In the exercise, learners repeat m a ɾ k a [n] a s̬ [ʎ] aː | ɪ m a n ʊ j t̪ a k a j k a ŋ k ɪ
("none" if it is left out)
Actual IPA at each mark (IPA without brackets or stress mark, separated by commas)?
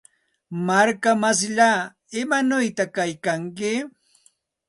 m, ʎ